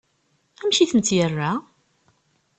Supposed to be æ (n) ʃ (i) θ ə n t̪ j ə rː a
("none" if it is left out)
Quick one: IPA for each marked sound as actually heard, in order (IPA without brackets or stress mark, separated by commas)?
m, i